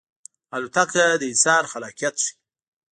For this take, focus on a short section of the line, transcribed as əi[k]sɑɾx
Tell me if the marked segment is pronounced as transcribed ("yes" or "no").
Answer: no